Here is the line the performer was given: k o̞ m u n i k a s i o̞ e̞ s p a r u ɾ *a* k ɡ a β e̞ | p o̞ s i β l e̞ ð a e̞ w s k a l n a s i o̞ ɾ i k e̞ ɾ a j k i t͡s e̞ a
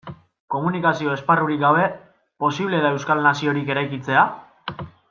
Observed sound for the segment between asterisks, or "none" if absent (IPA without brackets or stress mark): i